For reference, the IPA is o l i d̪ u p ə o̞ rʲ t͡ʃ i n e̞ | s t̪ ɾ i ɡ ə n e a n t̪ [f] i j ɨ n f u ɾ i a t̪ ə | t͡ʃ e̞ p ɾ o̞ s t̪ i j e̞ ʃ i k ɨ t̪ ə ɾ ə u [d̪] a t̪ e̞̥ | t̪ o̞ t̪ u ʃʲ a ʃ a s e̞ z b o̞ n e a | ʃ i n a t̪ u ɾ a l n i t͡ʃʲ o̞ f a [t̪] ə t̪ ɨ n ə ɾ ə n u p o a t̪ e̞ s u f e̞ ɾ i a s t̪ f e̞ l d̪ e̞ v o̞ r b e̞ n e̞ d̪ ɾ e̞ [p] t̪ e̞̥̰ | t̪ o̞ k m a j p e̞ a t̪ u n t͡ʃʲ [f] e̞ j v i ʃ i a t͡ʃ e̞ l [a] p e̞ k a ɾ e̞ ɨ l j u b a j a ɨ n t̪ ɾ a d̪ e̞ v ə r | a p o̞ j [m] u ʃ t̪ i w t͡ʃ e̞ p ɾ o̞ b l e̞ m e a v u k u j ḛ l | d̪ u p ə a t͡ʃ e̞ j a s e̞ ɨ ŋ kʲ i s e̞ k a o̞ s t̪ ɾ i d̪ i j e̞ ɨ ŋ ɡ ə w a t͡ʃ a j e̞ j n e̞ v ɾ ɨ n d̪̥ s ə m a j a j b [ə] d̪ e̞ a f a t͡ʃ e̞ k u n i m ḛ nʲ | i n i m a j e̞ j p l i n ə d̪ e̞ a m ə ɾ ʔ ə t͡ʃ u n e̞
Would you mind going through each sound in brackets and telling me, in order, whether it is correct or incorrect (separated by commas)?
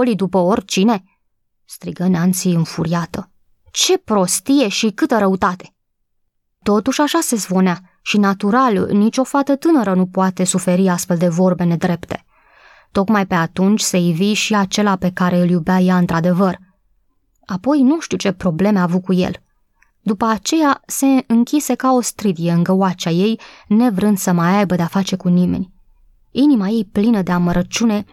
incorrect, incorrect, correct, correct, incorrect, correct, incorrect, correct